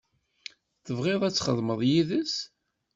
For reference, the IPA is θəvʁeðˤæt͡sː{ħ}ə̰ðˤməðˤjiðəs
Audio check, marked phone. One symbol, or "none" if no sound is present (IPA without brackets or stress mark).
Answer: χ